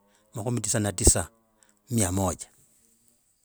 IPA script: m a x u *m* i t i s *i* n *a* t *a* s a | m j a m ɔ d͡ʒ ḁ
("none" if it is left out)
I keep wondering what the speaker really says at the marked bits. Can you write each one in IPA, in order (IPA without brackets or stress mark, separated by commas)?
m, a, a, i